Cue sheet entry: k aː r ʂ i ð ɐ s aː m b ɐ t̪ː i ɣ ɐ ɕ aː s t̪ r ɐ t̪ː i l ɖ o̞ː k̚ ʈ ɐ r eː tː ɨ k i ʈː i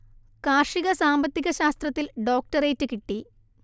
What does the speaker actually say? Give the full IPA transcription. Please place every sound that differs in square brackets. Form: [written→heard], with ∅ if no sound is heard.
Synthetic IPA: k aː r ʂ i [ð→ɣ] ɐ s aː m b ɐ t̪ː i ɣ ɐ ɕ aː s t̪ r ɐ t̪ː i l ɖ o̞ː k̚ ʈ ɐ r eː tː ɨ k i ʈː i

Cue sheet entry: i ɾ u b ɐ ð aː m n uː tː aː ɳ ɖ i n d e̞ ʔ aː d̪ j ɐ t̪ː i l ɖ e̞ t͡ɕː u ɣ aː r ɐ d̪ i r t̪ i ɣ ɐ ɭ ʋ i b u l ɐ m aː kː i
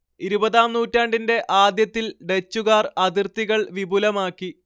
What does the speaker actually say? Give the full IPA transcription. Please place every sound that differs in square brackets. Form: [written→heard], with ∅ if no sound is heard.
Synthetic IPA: i ɾ u b ɐ ð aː m n uː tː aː ɳ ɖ i n d e̞ ʔ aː d̪ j ɐ t̪ː i l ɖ e̞ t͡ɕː u ɣ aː r ɐ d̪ i r t̪ i ɣ ɐ ɭ ʋ i b u l ɐ m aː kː i

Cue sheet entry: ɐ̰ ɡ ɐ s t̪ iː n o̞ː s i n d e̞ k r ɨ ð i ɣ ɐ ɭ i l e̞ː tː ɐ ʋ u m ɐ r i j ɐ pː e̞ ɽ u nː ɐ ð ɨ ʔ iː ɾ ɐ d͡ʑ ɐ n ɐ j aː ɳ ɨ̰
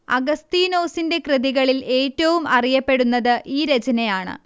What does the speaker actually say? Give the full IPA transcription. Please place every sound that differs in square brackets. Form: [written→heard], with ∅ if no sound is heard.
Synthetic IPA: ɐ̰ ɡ ɐ s t̪ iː n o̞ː s i n d e̞ k r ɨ ð i ɣ ɐ ɭ i l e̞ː tː ɐ ʋ u m ɐ r i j ɐ pː e̞ ɽ u nː ɐ ð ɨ ʔ iː ɾ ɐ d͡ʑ ɐ n ɐ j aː ɳ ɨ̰

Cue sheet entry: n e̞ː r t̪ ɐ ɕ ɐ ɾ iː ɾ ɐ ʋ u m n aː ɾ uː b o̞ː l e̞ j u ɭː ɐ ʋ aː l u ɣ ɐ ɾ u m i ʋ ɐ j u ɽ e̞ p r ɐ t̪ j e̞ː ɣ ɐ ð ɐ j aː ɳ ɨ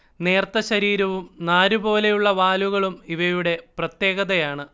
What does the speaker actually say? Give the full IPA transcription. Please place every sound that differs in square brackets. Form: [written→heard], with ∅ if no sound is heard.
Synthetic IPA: n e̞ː r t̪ ɐ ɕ ɐ ɾ iː ɾ ɐ ʋ u m n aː ɾ [uː→u] b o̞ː l e̞ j u ɭː ɐ ʋ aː l u ɣ ɐ [ɾ→ɭ] u m i ʋ ɐ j u ɽ e̞ p r ɐ t̪ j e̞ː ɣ ɐ ð ɐ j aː ɳ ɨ

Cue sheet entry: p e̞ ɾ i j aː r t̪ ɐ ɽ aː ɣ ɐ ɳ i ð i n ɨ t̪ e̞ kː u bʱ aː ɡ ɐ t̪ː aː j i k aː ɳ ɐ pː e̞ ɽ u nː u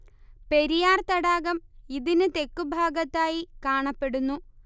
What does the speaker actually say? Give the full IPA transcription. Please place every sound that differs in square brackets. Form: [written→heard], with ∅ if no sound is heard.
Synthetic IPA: p e̞ ɾ i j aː r t̪ ɐ ɽ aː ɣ ɐ [ɳ→m] i ð i n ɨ t̪ e̞ kː u bʱ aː ɡ ɐ t̪ː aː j i k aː ɳ ɐ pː e̞ ɽ u nː u

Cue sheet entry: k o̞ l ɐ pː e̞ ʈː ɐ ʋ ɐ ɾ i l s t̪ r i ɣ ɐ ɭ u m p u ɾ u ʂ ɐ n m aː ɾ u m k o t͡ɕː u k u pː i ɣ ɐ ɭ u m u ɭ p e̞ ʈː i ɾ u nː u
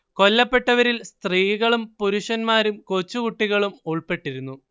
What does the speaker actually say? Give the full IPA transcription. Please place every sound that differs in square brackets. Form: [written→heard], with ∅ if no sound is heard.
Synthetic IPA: k o̞ [l→lː] ɐ pː e̞ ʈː ɐ ʋ ɐ ɾ i l s t̪ r [i→iː] ɣ ɐ ɭ u m p u ɾ u ʂ ɐ n m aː ɾ u m k o t͡ɕː u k u [pː→ʈː] i ɣ ɐ ɭ u m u ɭ p e̞ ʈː i ɾ u nː u

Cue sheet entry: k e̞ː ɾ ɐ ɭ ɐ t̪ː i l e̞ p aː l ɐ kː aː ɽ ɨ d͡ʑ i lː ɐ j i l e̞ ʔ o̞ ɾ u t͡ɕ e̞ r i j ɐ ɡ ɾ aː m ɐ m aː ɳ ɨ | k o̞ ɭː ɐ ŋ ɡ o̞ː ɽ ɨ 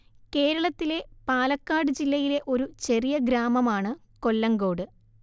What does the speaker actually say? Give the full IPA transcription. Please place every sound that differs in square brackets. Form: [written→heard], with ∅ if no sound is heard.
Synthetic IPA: k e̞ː ɾ ɐ ɭ ɐ t̪ː i l e̞ p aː l ɐ kː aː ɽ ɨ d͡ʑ i lː ɐ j i l e̞ ʔ o̞ ɾ u t͡ɕ e̞ r i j ɐ ɡ ɾ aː m ɐ m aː ɳ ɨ | k o̞ [ɭː→lː] ɐ ŋ ɡ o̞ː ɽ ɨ

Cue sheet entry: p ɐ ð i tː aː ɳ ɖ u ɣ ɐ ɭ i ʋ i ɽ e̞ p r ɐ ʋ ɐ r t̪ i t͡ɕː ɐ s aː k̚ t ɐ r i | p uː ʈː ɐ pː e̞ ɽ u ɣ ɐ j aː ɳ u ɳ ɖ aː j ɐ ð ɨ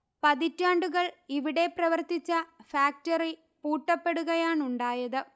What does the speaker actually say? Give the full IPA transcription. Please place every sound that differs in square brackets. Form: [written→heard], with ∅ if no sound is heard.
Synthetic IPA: p ɐ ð i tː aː ɳ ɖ u ɣ ɐ ɭ i ʋ i ɽ e̞ p r ɐ ʋ ɐ r t̪ i t͡ɕː ɐ [s→f] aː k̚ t ɐ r i | p uː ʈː ɐ pː e̞ ɽ u ɣ ɐ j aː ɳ u ɳ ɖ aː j ɐ ð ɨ

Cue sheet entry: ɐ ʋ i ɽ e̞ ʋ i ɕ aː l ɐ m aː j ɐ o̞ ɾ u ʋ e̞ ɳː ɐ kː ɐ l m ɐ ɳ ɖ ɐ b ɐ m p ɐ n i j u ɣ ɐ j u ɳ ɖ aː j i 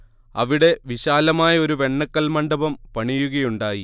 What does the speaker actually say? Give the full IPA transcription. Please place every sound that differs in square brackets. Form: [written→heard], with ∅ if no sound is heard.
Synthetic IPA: ɐ ʋ i ɽ e̞ ʋ i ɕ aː l ɐ m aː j ɐ o̞ ɾ u ʋ e̞ ɳː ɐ kː ɐ l m ɐ ɳ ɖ ɐ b ɐ m p ɐ [n→ɳ] i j u ɣ ɐ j u ɳ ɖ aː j i

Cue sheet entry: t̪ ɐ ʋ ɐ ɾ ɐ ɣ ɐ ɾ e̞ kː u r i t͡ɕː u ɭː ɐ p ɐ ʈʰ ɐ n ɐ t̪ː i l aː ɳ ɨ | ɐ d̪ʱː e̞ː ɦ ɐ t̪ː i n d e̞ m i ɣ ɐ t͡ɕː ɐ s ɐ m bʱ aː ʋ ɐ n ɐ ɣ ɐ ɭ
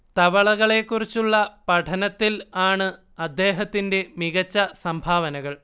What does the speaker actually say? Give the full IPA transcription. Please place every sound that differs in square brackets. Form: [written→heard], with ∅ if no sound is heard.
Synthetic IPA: t̪ ɐ ʋ ɐ [ɾ→ɭ] ɐ ɣ ɐ [ɾ→ɭ] e̞ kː u r i t͡ɕː u ɭː ɐ p ɐ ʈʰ ɐ n ɐ t̪ː i l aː ɳ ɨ | ɐ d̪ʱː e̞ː ɦ ɐ t̪ː i n d e̞ m i ɣ ɐ t͡ɕː ɐ s ɐ m bʱ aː ʋ ɐ n ɐ ɣ ɐ ɭ

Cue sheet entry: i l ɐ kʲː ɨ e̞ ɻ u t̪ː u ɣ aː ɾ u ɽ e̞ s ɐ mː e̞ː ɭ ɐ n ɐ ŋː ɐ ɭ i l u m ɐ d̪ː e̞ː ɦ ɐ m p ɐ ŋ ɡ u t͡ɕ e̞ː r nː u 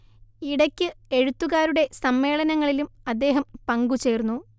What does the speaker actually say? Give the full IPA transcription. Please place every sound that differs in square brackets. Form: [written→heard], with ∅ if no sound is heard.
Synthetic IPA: i [l→ɽ] ɐ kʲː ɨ e̞ ɻ u t̪ː u ɣ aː ɾ u ɽ e̞ s ɐ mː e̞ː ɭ ɐ n ɐ ŋː ɐ ɭ i l u m ɐ d̪ː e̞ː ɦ ɐ m p ɐ ŋ ɡ u t͡ɕ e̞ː r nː u

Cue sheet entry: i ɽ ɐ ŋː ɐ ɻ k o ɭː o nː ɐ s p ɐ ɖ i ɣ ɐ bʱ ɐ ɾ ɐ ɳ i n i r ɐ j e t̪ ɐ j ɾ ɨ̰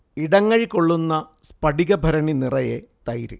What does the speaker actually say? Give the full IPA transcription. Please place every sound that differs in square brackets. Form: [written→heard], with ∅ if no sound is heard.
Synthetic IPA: i ɽ ɐ ŋː ɐ ɻ k o ɭː [o→u] nː ɐ s p ɐ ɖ i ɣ ɐ bʱ ɐ ɾ ɐ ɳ i n i r ɐ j e t̪ ɐ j ɾ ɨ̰

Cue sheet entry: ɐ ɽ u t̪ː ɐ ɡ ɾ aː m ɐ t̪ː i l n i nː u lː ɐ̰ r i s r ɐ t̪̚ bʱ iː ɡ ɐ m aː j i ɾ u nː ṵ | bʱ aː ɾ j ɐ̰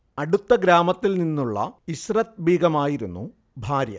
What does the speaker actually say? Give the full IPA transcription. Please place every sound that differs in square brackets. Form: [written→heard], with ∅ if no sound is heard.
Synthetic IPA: ɐ ɽ u t̪ː ɐ ɡ ɾ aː m ɐ t̪ː i l n i nː u [lː→ɭː] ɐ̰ [r→∅] i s r ɐ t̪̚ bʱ iː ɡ ɐ m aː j i ɾ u nː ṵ | bʱ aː ɾ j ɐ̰

